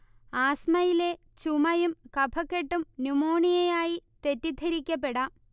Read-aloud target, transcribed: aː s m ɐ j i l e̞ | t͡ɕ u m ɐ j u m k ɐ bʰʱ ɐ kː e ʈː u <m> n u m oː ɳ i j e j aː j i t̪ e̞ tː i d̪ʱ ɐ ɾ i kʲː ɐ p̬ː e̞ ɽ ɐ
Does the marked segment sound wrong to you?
no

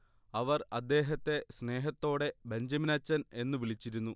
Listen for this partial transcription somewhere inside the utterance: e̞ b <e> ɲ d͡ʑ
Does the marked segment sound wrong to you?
no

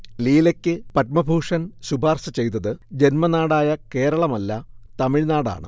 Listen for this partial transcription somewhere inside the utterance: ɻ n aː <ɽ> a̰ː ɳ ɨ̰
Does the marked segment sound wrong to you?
no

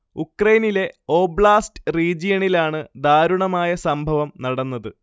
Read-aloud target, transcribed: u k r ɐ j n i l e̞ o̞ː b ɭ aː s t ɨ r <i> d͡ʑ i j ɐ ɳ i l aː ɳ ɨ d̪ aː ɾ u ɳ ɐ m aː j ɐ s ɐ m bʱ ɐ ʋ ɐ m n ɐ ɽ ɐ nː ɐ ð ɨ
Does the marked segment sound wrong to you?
yes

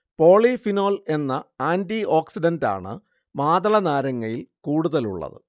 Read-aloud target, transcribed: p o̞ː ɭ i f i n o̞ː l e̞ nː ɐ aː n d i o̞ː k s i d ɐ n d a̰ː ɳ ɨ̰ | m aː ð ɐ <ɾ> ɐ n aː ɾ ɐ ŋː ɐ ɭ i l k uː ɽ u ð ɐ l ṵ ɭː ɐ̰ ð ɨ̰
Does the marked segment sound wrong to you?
yes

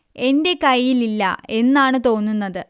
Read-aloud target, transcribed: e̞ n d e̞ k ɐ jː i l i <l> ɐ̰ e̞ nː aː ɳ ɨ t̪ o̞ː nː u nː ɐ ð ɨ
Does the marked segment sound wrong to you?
yes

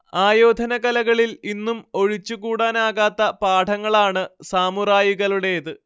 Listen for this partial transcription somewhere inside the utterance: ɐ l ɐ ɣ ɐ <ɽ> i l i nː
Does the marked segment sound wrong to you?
yes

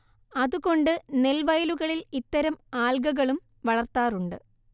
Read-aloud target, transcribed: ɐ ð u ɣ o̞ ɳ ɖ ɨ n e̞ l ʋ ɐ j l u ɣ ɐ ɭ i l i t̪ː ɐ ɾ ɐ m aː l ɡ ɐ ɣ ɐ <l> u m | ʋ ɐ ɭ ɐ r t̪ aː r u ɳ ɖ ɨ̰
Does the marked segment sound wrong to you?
yes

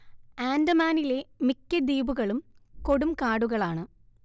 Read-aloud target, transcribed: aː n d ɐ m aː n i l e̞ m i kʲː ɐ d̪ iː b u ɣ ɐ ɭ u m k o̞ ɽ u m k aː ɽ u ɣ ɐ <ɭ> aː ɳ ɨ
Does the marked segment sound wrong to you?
no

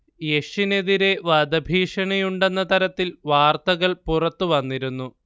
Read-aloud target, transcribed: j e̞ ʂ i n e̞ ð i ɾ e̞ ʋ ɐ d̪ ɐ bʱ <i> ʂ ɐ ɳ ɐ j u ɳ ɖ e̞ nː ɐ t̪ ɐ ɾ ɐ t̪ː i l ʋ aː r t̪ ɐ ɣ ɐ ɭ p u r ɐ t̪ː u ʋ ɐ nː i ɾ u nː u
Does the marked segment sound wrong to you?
yes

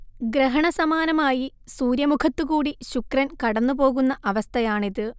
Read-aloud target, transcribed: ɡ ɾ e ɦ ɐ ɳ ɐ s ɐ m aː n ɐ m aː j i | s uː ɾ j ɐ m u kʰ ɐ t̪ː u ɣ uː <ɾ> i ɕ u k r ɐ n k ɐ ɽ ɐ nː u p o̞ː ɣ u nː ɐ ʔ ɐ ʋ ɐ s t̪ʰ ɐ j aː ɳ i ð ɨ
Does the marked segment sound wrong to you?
yes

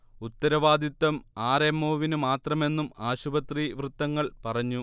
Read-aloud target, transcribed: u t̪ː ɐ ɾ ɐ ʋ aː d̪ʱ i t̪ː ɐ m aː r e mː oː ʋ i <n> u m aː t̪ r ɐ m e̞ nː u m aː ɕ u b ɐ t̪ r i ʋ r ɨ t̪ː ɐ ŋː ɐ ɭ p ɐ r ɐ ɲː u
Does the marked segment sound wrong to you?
no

